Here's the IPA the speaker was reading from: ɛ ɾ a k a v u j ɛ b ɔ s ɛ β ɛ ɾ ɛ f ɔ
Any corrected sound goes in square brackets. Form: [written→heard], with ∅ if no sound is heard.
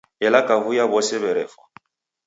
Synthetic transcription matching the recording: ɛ [ɾ→l] a k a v u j [ɛ→a] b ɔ s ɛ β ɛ ɾ ɛ f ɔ